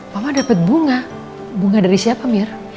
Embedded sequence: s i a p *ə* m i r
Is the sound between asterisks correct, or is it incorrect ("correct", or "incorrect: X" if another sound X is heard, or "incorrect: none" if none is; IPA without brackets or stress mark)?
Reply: incorrect: a